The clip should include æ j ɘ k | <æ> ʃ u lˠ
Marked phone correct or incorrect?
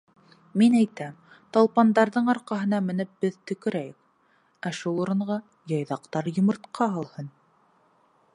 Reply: correct